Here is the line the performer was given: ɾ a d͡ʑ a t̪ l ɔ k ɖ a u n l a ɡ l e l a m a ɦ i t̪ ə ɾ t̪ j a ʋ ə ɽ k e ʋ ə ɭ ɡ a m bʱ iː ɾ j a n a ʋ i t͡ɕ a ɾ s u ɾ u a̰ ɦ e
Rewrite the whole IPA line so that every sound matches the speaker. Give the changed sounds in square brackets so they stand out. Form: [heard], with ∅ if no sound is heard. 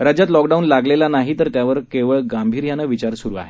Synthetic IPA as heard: ɾ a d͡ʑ a t̪ l ɔ k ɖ a u n l a ɡ l e l a [n] a ɦ i t̪ ə ɾ t̪ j a ʋ ə [ɾ] k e ʋ ə ɭ ɡ a m bʱ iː ɾ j a n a ʋ i t͡ɕ a ɾ s u ɾ u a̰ ɦ e